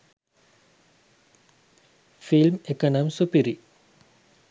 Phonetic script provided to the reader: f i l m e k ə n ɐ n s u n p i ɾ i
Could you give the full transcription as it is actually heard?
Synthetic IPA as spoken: f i l m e k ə n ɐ m s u p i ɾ i